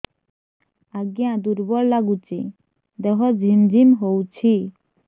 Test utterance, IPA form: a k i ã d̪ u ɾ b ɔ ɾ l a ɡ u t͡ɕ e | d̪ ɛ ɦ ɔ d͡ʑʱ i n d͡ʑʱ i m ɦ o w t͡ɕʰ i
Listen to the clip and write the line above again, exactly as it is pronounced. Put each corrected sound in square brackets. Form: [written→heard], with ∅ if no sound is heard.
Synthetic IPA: a [k→ɡ] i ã d̪ u ɾ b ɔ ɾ l a ɡ u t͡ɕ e | d̪ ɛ ɦ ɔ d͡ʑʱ i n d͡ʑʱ i m ɦ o w t͡ɕʰ i